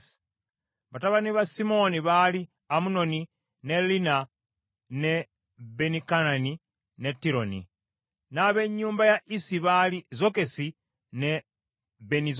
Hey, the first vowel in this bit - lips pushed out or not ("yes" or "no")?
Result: no